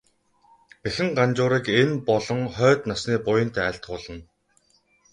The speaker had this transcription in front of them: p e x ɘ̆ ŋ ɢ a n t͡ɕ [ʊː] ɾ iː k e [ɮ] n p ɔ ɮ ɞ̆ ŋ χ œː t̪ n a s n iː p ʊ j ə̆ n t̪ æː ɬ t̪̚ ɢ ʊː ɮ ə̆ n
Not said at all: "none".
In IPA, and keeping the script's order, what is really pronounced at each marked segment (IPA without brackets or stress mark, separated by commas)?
ʊː, none